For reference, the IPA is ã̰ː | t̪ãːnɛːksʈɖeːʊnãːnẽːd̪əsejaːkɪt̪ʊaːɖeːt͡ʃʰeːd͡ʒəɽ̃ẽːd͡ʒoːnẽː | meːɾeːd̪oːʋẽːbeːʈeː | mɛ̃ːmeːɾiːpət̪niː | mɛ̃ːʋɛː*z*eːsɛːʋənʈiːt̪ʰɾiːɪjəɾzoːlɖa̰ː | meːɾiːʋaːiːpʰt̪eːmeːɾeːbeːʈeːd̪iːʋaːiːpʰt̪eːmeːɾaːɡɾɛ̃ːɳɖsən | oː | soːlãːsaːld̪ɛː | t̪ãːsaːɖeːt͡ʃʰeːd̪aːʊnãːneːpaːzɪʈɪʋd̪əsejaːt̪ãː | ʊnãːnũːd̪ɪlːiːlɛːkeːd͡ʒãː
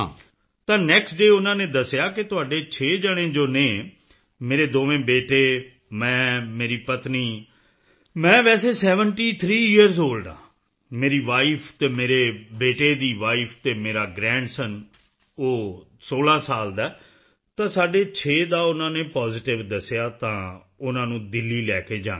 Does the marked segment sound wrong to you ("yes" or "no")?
yes